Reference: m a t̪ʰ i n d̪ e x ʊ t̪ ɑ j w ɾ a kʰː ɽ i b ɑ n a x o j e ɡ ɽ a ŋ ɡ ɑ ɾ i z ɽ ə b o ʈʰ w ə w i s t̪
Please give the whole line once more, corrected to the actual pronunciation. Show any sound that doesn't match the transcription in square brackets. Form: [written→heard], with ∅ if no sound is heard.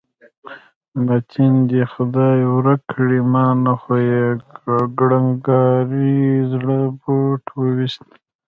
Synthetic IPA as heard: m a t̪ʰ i n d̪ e x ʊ [t̪→d̪] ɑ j w ɾ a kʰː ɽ i [b→m] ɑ n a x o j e ɡ ɽ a ŋ ɡ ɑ ɾ i z ɽ ə b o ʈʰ w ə w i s t̪